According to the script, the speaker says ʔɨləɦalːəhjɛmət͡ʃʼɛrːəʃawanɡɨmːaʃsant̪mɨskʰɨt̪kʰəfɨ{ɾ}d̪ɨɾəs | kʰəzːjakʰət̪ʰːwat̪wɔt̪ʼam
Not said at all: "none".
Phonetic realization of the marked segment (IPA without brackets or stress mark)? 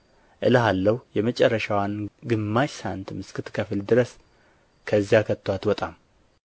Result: l